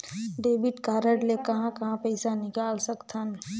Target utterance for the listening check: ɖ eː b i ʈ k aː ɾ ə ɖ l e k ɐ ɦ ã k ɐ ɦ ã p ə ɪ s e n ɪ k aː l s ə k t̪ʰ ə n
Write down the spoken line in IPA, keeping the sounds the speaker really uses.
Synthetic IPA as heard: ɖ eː b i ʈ k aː ɾ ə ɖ l e k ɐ ɦ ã k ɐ ɦ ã p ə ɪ s a n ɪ k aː l s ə k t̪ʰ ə n